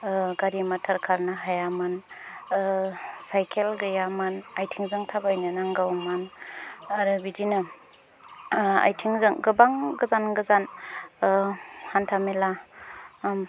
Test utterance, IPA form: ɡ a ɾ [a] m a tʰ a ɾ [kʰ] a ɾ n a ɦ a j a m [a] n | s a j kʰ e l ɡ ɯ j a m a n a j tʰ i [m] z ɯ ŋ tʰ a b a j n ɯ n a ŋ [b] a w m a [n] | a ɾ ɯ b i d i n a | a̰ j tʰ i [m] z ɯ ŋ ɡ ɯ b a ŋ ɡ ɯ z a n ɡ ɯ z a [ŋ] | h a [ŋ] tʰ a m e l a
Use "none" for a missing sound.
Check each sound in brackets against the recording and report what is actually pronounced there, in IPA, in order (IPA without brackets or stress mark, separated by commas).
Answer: i, kʰ, a, ŋ, ɡ, n, ŋ, n, n